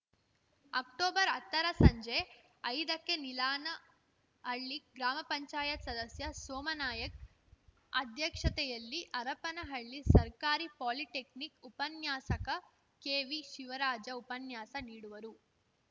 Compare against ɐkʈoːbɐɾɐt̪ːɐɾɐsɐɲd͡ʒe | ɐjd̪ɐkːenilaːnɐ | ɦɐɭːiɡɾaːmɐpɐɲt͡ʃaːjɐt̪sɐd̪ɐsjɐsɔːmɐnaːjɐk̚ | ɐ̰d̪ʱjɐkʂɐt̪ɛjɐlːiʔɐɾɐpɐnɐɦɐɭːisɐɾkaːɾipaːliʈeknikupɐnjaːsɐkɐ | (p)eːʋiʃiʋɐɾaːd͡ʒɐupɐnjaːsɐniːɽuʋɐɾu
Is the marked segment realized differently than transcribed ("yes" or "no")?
yes